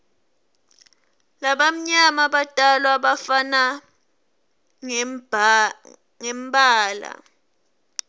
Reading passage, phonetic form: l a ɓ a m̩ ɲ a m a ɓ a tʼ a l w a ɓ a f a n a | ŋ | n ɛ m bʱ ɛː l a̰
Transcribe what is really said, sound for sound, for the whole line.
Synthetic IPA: l a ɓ a m̩ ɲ a m a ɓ a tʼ a l w a ɓ a f a n a | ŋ | ŋ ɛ m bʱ aː l a̰